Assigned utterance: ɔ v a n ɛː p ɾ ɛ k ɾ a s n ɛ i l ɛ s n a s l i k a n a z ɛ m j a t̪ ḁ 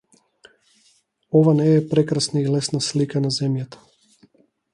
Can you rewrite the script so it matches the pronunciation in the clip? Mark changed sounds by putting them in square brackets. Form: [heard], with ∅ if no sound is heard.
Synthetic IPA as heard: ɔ v a n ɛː p ɾ ɛ k ɾ a s n [a] i l ɛ s n a s l i k a n a z ɛ m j a t̪ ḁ